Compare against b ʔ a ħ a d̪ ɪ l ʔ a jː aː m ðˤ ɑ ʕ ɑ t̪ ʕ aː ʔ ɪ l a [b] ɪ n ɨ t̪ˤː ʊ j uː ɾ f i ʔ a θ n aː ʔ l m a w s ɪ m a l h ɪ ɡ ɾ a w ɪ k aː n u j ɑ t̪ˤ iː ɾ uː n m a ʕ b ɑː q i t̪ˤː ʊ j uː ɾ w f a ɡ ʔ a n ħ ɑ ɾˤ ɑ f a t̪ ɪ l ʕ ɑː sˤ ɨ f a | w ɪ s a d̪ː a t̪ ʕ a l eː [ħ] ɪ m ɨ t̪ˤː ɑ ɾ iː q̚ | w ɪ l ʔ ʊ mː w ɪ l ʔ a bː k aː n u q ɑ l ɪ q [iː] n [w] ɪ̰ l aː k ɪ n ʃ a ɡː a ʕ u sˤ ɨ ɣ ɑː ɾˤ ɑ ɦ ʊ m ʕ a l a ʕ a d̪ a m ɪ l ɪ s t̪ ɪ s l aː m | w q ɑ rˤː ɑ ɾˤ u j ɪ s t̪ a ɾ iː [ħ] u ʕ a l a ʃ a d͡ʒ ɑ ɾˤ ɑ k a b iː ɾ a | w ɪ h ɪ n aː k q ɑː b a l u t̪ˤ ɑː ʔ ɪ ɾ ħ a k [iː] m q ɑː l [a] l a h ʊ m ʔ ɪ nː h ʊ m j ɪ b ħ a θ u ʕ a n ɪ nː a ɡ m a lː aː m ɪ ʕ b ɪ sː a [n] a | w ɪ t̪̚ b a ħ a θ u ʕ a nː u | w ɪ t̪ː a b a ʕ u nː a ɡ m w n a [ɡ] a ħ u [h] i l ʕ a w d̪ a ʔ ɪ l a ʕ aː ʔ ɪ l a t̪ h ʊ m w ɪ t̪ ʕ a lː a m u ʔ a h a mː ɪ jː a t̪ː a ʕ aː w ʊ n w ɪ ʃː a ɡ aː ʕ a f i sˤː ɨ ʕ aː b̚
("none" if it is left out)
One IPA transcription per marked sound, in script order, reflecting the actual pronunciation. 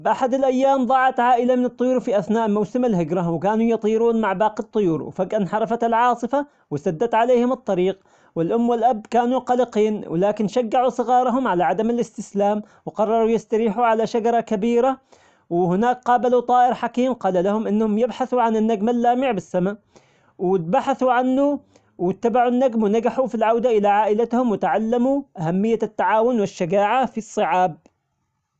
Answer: m, h, iː, w, ħ, iː, a, m, ɡ, f

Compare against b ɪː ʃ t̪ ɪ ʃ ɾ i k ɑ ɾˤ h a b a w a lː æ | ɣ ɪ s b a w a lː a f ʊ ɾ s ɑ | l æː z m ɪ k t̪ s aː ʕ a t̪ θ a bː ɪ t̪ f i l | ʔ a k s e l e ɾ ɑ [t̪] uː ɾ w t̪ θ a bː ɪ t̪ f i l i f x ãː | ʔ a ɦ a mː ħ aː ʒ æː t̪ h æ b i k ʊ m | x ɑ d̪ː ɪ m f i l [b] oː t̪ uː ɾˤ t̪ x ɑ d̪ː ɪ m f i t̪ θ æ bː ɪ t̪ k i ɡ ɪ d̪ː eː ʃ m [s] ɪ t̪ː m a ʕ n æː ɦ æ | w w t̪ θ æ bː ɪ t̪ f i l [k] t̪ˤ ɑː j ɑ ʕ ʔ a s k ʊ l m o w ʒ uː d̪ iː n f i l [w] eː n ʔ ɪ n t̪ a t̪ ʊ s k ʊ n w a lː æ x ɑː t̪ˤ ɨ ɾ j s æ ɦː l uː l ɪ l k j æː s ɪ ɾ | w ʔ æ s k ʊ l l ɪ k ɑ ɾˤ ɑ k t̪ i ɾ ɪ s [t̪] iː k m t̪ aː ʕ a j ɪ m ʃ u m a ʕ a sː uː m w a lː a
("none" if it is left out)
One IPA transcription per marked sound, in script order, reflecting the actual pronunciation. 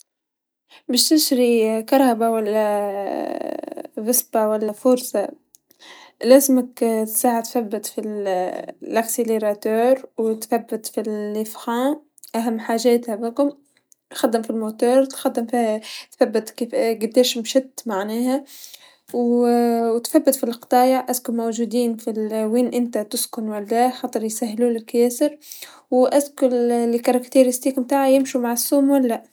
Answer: t̪, m, ʃ, q, w, t̪

